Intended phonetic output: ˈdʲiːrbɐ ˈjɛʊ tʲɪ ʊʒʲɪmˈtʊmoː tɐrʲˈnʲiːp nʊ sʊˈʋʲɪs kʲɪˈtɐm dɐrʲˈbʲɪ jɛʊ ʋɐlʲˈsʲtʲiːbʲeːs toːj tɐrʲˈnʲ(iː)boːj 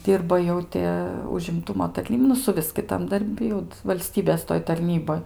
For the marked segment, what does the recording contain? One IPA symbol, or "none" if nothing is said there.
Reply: iː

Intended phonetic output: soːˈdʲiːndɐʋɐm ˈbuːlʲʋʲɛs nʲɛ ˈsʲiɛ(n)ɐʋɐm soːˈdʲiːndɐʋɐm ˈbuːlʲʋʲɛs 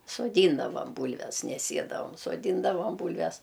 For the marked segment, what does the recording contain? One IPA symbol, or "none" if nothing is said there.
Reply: d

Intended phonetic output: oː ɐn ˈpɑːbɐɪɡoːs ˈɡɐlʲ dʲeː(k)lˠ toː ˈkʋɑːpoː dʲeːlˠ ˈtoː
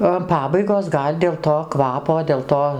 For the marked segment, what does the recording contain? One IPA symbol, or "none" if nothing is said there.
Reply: none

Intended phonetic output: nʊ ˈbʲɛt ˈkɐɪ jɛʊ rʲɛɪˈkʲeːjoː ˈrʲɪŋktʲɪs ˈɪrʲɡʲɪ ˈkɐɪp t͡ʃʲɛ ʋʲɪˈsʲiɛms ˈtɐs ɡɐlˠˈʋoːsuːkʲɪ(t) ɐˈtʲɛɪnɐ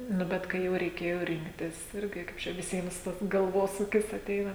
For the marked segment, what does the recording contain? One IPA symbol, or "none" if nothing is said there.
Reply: s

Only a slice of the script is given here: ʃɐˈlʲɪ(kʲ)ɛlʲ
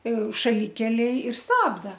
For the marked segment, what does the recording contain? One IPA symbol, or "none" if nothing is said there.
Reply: kʲ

